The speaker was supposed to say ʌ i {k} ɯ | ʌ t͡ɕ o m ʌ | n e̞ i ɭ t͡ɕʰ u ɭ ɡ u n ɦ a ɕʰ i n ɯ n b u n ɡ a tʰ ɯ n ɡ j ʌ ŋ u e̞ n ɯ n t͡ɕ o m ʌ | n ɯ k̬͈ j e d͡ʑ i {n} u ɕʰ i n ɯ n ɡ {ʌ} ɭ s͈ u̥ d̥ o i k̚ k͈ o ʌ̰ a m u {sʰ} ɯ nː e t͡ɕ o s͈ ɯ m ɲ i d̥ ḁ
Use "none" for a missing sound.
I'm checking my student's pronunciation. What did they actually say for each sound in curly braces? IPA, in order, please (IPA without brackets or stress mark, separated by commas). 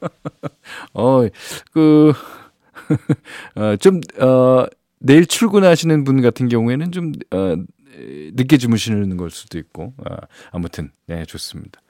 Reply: k, m, ʌ, tʰ